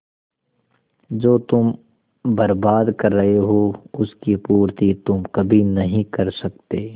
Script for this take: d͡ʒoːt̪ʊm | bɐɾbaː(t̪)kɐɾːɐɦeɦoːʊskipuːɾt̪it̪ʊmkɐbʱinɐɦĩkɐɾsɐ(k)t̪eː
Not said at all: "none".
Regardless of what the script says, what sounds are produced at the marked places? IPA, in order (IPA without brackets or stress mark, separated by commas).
d̪, k